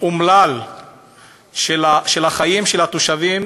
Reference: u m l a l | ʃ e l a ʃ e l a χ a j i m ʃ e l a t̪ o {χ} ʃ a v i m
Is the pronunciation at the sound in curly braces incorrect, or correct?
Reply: incorrect